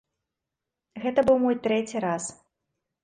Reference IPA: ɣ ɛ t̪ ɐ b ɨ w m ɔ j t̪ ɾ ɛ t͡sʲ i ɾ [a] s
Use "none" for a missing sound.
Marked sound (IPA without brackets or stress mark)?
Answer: a